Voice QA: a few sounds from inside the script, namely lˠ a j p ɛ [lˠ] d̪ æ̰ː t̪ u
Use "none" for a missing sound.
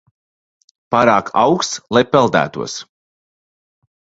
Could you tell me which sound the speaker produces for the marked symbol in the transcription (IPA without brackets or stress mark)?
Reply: lˠ